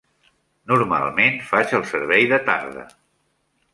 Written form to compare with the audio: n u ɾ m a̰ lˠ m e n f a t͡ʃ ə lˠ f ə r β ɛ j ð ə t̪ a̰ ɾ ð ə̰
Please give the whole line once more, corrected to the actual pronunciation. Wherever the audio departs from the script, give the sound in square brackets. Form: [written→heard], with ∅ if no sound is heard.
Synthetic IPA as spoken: n u ɾ m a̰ lˠ m e n f a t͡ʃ ə lˠ [f→s] ə [r→ɾ] β ɛ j ð ə t̪ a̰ ɾ ð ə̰